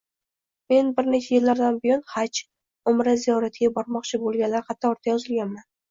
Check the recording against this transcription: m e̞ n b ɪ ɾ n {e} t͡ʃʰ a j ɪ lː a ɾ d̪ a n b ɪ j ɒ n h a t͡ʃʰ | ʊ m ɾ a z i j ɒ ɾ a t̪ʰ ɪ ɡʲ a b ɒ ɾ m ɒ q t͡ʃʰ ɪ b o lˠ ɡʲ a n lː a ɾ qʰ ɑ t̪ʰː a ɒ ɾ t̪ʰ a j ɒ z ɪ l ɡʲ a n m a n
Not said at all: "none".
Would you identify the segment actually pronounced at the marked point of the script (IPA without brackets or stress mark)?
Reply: e